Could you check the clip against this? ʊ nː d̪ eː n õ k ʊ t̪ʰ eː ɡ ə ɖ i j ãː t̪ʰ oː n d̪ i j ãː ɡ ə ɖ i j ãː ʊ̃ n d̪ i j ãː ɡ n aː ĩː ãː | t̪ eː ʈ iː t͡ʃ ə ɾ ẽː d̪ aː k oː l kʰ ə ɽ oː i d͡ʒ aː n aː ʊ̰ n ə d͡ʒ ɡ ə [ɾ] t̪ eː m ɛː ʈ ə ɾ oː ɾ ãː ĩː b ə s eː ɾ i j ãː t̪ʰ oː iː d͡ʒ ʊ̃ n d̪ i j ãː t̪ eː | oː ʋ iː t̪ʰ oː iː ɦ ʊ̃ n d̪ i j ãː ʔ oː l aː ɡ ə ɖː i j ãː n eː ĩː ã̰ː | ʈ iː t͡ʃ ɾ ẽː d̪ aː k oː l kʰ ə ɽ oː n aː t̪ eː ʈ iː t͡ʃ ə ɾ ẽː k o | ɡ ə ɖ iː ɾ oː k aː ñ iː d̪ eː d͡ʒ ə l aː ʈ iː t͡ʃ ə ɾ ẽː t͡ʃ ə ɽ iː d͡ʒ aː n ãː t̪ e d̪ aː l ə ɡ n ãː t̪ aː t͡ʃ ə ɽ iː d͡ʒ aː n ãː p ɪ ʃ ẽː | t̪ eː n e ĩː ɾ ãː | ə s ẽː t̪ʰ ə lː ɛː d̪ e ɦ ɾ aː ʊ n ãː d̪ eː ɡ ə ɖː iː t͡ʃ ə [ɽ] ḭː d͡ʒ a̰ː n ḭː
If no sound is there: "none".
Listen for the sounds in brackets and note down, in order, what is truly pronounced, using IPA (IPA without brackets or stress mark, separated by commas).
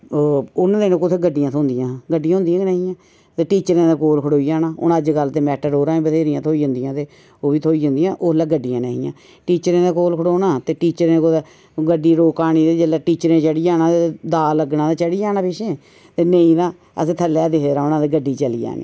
l, l